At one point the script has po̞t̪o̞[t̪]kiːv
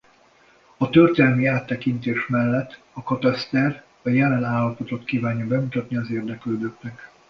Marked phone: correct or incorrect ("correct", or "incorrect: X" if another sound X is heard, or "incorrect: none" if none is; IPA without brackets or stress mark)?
correct